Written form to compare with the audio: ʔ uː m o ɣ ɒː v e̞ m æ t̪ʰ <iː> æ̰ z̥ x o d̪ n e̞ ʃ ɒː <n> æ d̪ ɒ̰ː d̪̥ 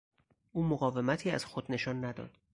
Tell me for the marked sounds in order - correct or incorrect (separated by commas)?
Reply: correct, incorrect